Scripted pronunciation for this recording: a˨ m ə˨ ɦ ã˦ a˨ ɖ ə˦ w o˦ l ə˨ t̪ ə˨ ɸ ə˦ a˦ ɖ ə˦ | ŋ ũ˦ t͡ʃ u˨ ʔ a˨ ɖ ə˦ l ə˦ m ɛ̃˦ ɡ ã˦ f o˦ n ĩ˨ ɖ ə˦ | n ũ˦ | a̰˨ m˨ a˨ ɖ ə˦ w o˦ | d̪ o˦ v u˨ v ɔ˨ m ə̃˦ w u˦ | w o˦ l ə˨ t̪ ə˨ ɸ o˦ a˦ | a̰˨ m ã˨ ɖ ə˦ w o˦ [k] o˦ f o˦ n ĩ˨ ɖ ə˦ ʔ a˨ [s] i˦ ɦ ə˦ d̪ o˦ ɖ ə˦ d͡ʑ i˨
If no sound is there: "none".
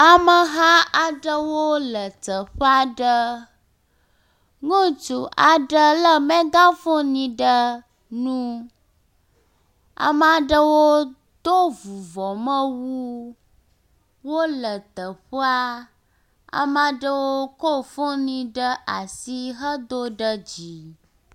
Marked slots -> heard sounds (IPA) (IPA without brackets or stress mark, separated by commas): k, s